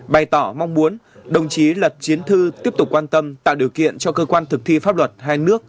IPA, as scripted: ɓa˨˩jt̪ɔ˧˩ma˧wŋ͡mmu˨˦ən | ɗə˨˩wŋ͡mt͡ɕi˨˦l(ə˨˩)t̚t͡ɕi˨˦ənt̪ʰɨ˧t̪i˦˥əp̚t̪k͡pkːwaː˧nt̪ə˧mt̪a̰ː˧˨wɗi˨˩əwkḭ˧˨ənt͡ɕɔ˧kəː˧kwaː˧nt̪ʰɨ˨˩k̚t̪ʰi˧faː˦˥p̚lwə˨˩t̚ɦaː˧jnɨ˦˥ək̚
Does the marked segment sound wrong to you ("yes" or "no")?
no